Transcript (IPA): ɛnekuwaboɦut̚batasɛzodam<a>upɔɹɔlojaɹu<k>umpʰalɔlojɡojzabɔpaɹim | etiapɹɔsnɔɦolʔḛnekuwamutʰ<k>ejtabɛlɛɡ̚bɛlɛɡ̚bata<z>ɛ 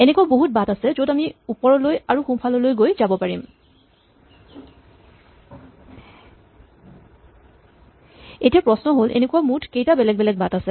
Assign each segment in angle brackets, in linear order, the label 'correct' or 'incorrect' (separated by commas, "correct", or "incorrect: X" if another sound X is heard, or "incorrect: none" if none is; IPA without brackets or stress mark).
incorrect: i, incorrect: x, correct, incorrect: s